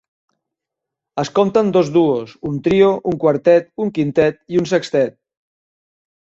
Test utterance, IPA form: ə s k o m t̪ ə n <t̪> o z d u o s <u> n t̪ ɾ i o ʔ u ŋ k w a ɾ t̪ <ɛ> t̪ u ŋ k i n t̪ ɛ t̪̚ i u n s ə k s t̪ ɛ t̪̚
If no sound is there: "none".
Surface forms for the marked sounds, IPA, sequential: d̪, u, ɛ

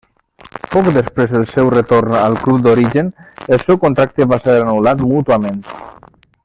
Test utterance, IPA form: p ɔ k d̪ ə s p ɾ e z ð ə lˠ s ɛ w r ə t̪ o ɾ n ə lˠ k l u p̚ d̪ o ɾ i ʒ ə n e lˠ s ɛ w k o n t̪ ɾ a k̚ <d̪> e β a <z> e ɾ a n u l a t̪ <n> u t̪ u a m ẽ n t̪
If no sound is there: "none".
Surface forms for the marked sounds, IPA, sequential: t̪, s, m

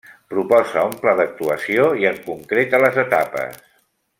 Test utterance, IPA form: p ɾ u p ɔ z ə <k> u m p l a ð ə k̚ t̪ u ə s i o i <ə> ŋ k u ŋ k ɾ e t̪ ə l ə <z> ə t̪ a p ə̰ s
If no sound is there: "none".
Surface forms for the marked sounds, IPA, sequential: none, ə, z

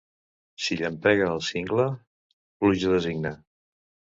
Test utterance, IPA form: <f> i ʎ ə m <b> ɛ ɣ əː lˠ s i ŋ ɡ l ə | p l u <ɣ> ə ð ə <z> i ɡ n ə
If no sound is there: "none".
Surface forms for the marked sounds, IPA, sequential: s, p, ʒ, z

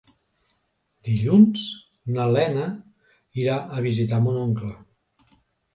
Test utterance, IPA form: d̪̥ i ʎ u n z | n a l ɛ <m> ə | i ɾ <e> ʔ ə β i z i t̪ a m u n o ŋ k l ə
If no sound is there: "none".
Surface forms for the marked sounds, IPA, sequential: n, a

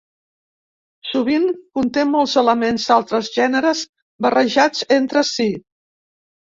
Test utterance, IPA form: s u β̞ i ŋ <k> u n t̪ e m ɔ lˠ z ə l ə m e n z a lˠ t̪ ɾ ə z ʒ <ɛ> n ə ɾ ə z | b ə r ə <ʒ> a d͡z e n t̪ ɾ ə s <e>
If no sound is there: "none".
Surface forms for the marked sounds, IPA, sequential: k, ɛ, ʒ, i

